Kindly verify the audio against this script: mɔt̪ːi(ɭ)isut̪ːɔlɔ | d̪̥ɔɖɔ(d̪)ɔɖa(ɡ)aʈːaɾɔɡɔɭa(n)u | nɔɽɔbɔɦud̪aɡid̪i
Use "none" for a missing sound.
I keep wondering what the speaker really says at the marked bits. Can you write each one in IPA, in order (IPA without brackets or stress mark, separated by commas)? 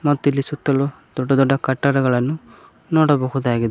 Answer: l, d̪, k, n